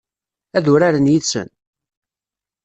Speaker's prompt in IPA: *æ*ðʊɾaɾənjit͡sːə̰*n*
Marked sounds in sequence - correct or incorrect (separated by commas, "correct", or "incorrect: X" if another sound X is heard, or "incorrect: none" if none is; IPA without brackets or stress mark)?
correct, correct